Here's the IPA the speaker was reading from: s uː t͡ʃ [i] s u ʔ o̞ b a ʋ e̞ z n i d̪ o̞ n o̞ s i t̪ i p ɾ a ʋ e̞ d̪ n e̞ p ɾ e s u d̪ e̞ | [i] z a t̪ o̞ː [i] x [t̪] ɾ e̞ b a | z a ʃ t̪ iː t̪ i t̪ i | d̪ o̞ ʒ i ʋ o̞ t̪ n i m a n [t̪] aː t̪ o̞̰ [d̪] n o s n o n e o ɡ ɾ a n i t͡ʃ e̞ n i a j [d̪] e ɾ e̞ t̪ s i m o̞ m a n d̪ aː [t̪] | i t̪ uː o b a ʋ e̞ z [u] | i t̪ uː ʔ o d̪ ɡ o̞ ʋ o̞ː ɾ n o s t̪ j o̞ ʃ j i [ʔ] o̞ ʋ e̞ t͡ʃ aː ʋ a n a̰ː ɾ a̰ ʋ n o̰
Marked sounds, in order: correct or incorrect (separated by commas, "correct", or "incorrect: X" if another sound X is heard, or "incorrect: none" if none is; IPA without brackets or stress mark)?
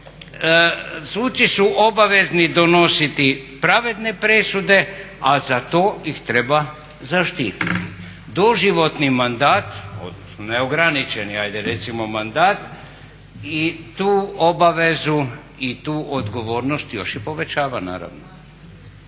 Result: correct, incorrect: a, correct, correct, incorrect: d̪, correct, correct, correct, correct, incorrect: p